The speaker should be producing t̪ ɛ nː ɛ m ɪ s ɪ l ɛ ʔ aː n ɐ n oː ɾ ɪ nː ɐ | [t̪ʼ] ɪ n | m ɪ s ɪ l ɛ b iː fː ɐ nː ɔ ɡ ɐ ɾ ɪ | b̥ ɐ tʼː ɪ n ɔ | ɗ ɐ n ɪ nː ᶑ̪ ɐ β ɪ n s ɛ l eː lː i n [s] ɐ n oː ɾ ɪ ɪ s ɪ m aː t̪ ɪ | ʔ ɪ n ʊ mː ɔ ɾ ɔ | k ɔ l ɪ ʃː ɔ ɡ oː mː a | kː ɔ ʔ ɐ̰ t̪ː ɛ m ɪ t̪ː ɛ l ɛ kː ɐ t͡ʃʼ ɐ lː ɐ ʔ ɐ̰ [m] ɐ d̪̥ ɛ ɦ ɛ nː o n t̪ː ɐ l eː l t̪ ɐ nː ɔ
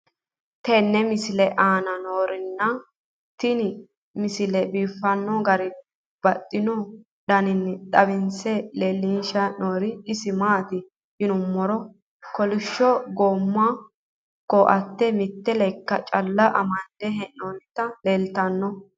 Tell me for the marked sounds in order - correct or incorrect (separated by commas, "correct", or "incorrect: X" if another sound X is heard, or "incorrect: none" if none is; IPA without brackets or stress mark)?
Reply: incorrect: t̪, incorrect: ʃ, correct